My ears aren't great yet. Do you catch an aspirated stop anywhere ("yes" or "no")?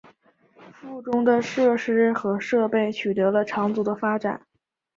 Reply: yes